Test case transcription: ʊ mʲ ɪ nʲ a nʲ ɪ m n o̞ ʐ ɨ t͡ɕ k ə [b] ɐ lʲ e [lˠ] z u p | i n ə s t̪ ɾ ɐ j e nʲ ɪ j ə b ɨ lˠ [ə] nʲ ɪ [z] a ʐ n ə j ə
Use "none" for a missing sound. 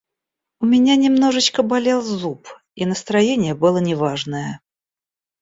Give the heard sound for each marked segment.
b, lˠ, ə, v

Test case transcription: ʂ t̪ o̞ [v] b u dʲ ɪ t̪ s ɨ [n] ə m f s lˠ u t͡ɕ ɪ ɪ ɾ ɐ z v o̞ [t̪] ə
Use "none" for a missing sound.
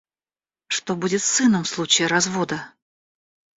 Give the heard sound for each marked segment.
none, n, d̪

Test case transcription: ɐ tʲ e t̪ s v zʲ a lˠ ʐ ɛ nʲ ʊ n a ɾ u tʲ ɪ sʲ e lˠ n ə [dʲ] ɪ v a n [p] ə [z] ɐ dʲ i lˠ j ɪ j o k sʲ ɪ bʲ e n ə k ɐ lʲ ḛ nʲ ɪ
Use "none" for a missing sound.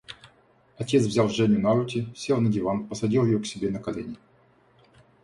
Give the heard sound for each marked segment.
dʲ, p, s

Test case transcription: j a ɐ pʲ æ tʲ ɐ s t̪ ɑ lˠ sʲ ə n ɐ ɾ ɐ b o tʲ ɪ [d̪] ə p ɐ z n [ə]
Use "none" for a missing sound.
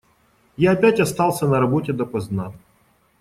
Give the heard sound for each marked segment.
d̪, a

